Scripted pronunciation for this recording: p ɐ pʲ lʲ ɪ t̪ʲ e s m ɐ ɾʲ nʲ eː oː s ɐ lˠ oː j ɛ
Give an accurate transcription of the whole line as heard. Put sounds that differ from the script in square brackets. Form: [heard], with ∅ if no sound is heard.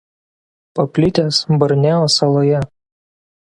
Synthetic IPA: p ɐ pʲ lʲ ɪ t̪ʲ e s [b] ɐ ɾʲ nʲ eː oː s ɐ lˠ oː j ɛ